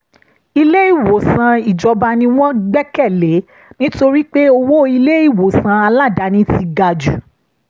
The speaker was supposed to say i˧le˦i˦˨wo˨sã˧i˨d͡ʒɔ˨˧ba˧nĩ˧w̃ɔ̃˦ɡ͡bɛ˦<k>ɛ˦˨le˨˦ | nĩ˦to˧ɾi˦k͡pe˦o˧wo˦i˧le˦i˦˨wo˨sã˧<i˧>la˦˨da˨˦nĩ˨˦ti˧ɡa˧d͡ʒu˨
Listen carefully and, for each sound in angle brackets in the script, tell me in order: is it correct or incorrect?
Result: correct, incorrect: a˧

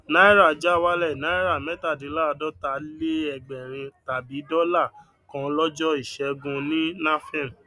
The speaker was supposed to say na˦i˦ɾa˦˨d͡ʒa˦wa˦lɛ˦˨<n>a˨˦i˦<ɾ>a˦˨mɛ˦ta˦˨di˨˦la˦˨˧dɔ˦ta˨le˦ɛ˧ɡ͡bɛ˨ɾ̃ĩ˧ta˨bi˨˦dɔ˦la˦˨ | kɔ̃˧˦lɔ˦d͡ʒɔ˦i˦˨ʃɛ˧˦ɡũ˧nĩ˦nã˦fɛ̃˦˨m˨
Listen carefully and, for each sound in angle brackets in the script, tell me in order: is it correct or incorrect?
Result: correct, correct

